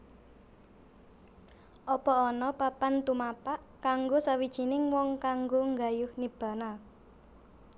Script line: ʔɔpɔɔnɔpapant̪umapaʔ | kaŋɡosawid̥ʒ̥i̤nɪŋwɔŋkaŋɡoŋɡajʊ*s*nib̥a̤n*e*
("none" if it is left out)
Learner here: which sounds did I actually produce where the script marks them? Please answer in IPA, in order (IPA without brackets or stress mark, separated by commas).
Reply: h, a